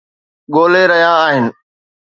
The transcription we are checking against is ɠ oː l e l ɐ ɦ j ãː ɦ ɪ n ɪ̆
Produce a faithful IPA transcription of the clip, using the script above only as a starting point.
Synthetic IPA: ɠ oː l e ɾ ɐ ɦ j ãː ɦ ɪ n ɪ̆